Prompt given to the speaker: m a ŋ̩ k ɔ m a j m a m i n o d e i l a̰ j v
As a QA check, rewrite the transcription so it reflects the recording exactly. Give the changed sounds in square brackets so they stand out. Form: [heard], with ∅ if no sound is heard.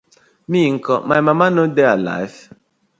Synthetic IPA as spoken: m [i] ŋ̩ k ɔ m a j m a m [a] n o d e [a] l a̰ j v